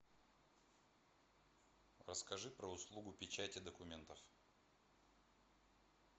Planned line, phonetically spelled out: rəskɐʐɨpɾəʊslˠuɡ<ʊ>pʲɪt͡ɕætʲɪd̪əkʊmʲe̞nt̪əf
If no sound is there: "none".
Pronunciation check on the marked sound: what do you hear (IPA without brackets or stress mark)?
ʊ